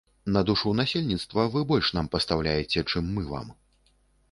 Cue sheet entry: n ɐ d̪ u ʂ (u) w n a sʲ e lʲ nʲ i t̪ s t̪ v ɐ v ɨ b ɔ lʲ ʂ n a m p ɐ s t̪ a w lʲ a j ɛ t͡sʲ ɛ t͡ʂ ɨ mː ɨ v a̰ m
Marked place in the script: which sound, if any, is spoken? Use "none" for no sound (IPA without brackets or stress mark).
u